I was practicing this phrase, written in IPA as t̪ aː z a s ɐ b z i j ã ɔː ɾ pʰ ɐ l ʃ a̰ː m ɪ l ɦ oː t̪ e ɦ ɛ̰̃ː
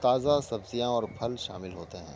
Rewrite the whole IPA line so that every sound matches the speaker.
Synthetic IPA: t̪ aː z a s ɐ b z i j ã ɔː ɾ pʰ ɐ l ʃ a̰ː m ɪ l ɦ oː t̪ e ɦ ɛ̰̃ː